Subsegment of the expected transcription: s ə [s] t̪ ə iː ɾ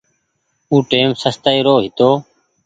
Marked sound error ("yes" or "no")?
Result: no